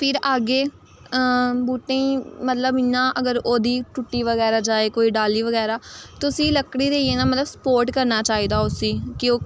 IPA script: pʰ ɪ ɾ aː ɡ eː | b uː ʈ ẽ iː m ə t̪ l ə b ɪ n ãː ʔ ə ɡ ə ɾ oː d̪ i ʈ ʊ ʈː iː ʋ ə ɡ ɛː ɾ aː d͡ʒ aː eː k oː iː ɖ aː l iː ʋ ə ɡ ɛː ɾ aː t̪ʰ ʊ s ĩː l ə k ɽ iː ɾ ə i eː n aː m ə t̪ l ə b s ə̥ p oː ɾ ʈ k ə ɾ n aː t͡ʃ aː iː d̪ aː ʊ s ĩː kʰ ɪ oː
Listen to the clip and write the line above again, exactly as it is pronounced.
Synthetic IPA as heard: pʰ ɪ ɾ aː ɡ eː | b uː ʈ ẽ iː m ə t̪ l ə b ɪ n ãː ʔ ə ɡ ə ɾ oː d̪ iː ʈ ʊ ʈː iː ʋ ə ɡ ɛː ɾ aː d͡ʒ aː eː k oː iː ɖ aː l iː ʋ ə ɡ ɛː ɾ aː t̪ ʊ s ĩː l ə k ɽ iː ɾ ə i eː n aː m ə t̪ l ə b s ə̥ p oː ɾ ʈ k ə ɾ n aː t͡ʃ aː iː d̪ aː ʊ s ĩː k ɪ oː